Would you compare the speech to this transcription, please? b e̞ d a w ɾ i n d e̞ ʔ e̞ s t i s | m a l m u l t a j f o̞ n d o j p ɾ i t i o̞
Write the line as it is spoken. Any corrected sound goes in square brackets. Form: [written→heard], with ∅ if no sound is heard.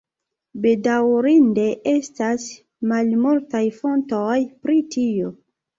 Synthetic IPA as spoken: b e̞ d a w ɾ i n d e̞ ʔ e̞ s t [i→a] s | m a l m u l t a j f o̞ n [d→t] o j p ɾ i t i o̞